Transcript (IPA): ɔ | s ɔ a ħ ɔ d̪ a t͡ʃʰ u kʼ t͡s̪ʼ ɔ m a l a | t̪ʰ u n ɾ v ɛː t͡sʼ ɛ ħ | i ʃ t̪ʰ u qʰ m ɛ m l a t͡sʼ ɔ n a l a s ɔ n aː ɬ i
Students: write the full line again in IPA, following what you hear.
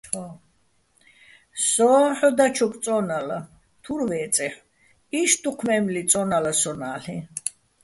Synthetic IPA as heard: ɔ | s ɔ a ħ ɔ d̪ a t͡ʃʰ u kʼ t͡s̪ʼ ɔ n a l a | t̪ʰ u ɾ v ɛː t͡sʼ ɛ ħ | i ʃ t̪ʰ u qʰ m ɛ m l i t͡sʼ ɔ n a l a s ɔ n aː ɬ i